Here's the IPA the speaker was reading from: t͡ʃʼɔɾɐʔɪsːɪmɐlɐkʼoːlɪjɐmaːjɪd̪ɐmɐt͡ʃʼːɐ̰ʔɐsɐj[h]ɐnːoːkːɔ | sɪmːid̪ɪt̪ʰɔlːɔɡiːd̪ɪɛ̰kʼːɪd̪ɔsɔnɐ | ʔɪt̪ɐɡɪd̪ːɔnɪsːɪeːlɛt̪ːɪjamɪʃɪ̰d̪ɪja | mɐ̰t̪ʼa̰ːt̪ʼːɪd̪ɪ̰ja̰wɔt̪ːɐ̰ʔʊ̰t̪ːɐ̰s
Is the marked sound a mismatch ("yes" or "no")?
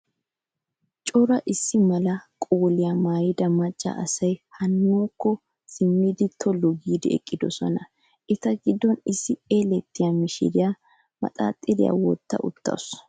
no